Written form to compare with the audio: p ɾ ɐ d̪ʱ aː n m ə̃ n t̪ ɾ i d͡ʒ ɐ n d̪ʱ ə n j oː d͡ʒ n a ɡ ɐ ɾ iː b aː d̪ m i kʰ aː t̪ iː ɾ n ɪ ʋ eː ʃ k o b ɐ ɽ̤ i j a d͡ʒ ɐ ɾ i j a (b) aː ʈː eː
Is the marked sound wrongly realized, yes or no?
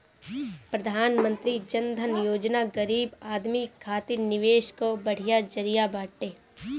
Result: no